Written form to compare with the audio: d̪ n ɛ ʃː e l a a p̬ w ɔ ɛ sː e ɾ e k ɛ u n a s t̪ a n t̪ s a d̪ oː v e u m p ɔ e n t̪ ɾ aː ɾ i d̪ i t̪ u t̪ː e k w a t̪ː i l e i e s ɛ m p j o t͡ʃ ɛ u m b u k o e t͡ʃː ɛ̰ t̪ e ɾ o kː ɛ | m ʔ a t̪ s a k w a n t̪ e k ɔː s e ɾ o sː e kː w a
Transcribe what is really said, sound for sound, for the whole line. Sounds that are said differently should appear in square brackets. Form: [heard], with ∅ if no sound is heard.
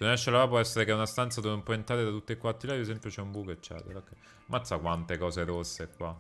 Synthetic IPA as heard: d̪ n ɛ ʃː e l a a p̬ w ɔ ɛ sː e ɾ e k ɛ u n a s t̪ a n t̪ s a d̪ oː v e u m p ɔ e n t̪ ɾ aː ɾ [e] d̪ [a] t̪ u t̪ː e k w a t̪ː i l [a] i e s ɛ m p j o t͡ʃ ɛ u m b u k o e t͡ʃː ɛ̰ t̪ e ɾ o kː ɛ | m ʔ a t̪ s a k w a n t̪ e k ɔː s e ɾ o sː e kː w a